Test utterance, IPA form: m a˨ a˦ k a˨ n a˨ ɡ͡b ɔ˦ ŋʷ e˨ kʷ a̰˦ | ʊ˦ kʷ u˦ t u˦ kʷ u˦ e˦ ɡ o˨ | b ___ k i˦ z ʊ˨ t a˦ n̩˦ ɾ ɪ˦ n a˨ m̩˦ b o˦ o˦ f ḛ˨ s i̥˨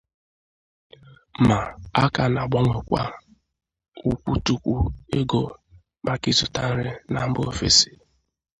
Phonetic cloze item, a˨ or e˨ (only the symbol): a˨